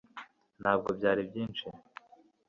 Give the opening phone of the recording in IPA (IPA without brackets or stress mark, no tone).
n